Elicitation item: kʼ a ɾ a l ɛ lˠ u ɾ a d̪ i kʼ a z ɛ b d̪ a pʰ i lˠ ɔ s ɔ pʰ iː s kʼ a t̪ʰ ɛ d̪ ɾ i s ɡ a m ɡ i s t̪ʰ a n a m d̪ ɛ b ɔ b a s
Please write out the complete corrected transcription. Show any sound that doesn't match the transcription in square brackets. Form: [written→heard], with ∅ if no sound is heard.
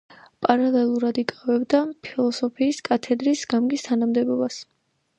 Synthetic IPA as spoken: [kʼ→pʼ] a ɾ a l ɛ lˠ u ɾ a d̪ i kʼ a [z→v] ɛ b d̪ a pʰ i lˠ ɔ s ɔ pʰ iː s kʼ a t̪ʰ ɛ d̪ ɾ i s ɡ a m ɡ i s t̪ʰ a n a m d̪ ɛ b ɔ b a s